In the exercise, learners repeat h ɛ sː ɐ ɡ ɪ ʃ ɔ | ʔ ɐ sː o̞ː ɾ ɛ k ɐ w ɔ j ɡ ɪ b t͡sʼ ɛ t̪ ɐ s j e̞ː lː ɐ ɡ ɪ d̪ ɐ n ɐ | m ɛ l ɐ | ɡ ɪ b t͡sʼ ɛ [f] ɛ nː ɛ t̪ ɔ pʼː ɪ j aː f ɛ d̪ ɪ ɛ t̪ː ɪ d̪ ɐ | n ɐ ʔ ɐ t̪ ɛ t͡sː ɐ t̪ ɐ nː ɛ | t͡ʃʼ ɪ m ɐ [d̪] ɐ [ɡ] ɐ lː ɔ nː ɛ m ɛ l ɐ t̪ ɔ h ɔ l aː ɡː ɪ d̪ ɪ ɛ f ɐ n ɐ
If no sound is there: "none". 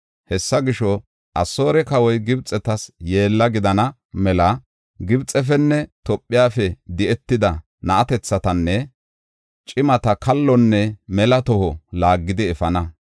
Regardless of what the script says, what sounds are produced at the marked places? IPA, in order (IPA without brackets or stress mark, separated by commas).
f, t̪, k